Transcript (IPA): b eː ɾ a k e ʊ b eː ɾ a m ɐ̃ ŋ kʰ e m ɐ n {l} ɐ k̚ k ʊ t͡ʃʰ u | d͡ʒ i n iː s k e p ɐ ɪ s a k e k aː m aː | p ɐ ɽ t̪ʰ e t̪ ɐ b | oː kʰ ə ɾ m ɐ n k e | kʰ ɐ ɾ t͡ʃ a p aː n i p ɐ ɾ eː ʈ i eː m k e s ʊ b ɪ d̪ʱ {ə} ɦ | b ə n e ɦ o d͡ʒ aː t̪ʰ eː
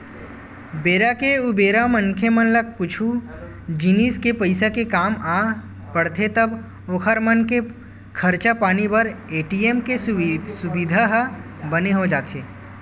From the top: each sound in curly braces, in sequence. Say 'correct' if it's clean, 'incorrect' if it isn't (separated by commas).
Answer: correct, incorrect